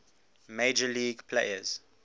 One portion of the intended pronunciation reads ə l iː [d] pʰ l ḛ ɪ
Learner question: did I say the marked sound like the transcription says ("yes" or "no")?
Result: no